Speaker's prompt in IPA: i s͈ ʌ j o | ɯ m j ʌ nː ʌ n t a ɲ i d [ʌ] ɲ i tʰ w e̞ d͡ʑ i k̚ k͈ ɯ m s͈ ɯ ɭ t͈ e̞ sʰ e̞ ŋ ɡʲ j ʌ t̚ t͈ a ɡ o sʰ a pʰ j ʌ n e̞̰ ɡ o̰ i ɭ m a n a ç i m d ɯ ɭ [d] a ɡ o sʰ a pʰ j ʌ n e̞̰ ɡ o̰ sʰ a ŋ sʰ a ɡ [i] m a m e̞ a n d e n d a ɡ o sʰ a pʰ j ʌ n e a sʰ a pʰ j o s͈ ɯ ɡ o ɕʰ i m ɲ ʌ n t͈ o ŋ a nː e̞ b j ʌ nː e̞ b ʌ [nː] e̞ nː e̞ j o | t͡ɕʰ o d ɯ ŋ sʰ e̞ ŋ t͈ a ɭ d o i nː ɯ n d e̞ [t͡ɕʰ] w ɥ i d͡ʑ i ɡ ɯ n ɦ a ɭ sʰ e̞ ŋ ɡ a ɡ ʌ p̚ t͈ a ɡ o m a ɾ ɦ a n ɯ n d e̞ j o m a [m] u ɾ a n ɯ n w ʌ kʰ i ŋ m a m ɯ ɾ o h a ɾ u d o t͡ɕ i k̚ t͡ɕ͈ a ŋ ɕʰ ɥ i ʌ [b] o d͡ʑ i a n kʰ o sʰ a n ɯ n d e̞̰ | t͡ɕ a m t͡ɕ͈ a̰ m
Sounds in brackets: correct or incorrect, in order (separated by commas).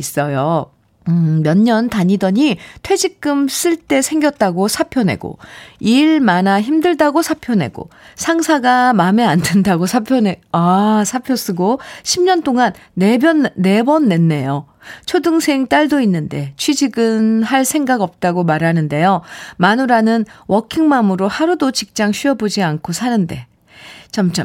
correct, correct, incorrect, correct, correct, incorrect, correct